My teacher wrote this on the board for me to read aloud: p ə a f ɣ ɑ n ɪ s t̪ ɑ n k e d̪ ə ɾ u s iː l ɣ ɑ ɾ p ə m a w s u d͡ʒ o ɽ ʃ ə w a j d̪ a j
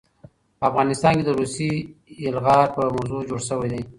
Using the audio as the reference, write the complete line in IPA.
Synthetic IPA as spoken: p ə a f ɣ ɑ n ɪ s t̪ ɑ n k e d̪ ə ɾ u s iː l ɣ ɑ ɾ p ə m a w z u d͡ʒ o ɽ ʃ ə w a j d̪ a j